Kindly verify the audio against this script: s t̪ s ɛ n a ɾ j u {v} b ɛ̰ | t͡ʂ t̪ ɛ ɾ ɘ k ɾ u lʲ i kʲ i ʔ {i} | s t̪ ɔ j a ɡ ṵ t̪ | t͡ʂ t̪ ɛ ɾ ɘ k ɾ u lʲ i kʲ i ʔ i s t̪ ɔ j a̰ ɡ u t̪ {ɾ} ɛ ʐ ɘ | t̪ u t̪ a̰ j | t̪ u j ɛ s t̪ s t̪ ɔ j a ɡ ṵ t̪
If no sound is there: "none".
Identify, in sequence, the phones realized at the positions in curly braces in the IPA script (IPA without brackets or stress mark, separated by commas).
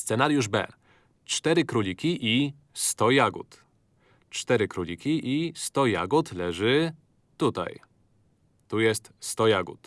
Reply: ʐ, i, l